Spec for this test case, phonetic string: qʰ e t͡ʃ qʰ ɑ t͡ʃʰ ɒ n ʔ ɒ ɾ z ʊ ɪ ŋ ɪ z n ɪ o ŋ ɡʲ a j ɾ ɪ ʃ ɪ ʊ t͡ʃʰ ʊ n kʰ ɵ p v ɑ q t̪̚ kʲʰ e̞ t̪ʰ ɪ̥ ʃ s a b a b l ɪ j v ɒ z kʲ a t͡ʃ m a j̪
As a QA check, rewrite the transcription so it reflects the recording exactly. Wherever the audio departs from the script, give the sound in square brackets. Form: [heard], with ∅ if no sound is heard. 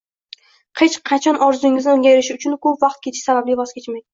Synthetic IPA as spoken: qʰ e t͡ʃ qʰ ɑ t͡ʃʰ ɒ n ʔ ɒ ɾ z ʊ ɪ ŋ ɪ z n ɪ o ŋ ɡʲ a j ɾ ɪ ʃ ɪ ʊ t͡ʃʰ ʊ n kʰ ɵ p v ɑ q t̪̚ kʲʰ e̞ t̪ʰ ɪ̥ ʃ s a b a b l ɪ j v ɒ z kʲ [e] t͡ʃ m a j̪